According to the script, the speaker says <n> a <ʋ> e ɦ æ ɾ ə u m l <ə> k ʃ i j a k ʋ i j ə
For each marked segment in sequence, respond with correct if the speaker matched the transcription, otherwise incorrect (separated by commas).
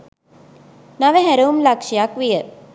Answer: correct, correct, incorrect